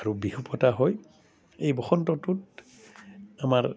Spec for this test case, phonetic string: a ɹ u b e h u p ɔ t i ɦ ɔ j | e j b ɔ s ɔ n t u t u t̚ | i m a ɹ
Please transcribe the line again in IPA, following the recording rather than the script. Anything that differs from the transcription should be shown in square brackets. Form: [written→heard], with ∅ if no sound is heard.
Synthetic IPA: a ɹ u b [e→i] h u p ɔ t [i→a] ɦ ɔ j | e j b ɔ [s→x] ɔ n t [u→ɔ] t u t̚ | [i→a] m a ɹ